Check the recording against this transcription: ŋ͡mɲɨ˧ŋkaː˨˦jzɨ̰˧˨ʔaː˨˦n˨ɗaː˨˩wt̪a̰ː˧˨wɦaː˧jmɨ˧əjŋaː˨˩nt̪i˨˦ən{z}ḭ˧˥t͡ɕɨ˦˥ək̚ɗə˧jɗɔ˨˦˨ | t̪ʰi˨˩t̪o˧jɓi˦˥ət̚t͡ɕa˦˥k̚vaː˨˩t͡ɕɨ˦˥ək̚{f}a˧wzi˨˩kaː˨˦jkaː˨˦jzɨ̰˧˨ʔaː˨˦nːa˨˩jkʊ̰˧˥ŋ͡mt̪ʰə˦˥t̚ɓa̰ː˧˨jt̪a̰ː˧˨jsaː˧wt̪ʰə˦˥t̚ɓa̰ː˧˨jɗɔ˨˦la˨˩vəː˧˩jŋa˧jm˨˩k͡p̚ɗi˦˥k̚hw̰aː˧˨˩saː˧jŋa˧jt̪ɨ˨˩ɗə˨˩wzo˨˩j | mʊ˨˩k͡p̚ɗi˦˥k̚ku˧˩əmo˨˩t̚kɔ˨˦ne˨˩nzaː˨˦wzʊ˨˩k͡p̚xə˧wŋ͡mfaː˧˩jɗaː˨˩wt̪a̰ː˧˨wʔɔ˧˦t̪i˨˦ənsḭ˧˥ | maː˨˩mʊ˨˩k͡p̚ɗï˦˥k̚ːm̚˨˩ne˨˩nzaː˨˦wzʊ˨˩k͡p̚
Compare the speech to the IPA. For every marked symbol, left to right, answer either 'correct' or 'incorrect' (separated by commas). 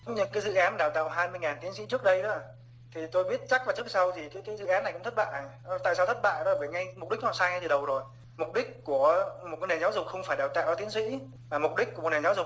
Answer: incorrect, incorrect